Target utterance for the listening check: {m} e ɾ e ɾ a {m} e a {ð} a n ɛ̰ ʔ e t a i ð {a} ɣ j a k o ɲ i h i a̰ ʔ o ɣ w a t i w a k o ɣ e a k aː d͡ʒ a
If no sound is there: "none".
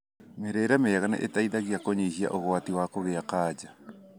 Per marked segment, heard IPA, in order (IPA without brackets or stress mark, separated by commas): m, m, ɣ, a